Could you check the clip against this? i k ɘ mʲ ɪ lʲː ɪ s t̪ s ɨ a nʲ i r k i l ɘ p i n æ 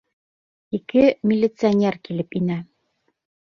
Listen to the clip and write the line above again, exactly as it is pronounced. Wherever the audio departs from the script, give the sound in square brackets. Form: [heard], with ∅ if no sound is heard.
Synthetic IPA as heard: i k ɘ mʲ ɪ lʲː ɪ [∅] t̪ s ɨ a nʲ [e] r k i l ɘ p i n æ